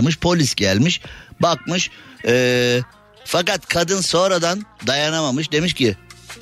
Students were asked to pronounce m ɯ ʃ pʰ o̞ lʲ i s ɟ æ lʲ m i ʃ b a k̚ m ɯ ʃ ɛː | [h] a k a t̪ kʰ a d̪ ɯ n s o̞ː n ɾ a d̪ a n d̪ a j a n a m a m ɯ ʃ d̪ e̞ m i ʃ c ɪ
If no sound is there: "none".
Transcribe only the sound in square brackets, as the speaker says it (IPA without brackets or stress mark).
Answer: f